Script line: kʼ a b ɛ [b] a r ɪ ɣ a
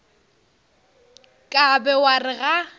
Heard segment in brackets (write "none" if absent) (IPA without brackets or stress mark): w